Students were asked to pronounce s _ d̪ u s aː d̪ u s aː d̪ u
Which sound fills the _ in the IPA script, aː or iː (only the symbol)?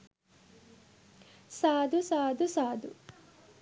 aː